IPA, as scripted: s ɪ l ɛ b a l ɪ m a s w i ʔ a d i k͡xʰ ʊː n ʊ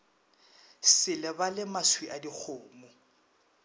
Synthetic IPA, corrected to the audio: s ɪ l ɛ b a l ɪ m a s w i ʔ a d i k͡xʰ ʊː m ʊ